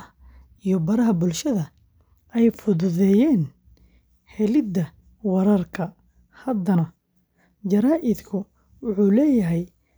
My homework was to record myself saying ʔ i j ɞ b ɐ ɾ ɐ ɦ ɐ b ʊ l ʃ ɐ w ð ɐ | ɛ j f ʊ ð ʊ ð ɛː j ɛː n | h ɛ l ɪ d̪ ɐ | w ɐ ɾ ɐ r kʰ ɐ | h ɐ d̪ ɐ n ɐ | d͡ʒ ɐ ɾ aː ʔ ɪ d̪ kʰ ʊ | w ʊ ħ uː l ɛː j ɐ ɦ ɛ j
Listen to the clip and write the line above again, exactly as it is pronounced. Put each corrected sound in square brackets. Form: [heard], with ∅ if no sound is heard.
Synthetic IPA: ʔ i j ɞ b ɐ ɾ ɐ ɦ ɐ b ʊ l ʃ ɐ [∅] ð ɐ | ɛ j f ʊ ð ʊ ð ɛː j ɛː n | h ɛ l ɪ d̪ ɐ | w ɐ ɾ ɐ r kʰ ɐ | h ɐ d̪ ɐ n ɐ | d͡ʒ ɐ ɾ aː ʔ ɪ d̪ kʰ ʊ | w ʊ ħ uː l ɛː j ɐ ɦ ɛ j